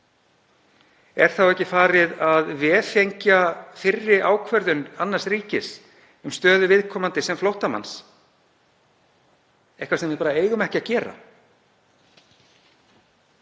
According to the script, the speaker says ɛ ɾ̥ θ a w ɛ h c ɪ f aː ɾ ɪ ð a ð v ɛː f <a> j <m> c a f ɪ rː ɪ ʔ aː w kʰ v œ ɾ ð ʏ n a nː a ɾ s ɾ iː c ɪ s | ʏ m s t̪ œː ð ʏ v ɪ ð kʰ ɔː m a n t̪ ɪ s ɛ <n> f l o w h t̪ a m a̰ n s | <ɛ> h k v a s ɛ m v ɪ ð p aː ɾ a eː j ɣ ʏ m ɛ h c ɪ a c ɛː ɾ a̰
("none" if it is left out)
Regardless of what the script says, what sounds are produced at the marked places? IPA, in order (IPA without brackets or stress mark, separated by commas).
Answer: e, ɲ, m, ɛ